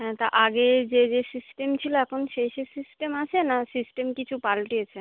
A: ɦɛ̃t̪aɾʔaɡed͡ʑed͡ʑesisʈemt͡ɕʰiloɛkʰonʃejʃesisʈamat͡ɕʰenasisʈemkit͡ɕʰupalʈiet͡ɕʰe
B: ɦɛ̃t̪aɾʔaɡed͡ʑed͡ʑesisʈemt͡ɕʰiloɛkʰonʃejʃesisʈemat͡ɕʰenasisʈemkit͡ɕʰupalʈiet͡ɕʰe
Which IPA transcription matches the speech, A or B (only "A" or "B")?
B